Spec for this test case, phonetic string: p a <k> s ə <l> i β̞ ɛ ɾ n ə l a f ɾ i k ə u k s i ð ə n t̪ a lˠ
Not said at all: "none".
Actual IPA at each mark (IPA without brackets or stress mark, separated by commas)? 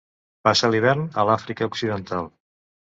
none, l